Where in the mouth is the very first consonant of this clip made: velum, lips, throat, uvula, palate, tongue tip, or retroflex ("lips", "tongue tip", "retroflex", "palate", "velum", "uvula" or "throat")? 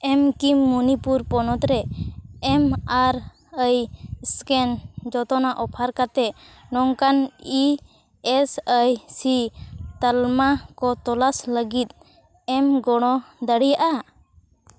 lips